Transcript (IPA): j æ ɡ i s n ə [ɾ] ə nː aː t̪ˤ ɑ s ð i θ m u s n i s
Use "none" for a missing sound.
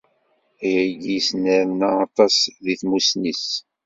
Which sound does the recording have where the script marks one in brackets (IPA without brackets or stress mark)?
ɾ